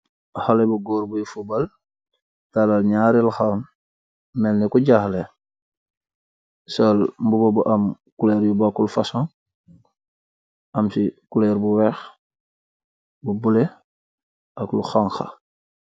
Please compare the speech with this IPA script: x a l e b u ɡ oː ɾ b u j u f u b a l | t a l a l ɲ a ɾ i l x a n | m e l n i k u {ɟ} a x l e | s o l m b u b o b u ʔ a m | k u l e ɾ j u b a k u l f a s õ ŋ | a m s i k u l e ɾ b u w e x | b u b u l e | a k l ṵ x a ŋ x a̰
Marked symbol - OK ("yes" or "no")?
yes